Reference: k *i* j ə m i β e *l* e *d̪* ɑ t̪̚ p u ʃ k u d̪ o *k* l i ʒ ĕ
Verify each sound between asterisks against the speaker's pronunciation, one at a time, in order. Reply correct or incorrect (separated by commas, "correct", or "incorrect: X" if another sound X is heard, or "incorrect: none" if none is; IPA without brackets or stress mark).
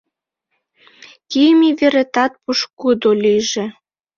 correct, incorrect: ɾ, incorrect: t̪, incorrect: none